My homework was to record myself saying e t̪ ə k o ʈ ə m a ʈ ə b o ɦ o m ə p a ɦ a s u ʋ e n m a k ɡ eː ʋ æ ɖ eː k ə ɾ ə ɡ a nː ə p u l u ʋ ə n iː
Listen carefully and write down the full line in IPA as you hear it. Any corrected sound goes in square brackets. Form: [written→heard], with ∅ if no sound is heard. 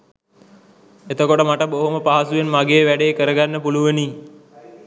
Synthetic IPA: e t̪ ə k o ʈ ə m a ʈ ə b o ɦ o m ə p a ɦ a s u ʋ e n m a [k→∅] ɡ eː ʋ æ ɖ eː k ə ɾ ə ɡ a nː ə p u l u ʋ ə n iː